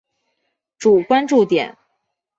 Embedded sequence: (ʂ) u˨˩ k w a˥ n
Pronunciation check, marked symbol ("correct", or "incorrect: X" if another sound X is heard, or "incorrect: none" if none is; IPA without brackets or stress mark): incorrect: ʈ͡ʂ